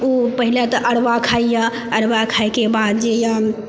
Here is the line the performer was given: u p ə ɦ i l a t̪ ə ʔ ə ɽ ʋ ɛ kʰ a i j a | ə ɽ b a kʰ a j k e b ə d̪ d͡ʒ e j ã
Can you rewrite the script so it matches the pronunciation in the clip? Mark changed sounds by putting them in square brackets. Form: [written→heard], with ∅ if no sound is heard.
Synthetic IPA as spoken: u p ə ɦ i l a t̪ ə ʔ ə ɽ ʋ [ɛ→a] kʰ a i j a | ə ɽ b a kʰ a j k e b [ə→a] d̪ d͡ʒ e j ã